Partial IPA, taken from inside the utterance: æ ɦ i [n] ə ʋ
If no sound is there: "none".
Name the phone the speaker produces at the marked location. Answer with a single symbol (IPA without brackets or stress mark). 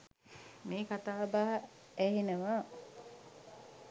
n